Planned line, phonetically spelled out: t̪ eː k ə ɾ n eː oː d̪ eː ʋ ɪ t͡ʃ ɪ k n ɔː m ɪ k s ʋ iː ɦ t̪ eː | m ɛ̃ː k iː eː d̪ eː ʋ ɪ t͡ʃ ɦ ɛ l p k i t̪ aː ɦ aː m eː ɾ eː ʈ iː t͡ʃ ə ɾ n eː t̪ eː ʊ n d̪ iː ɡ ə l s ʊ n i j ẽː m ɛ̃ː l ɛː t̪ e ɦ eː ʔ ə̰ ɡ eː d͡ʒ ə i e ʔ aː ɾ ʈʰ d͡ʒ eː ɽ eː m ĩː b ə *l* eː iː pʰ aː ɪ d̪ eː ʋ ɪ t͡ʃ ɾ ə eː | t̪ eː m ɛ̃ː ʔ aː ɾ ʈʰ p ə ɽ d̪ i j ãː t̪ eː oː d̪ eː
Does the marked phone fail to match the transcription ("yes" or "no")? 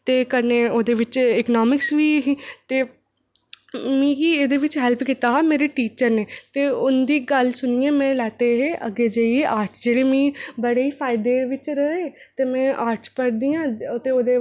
yes